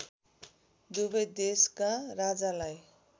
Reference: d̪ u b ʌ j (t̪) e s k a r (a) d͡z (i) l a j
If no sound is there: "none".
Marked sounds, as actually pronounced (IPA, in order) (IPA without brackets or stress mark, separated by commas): d̪, a, a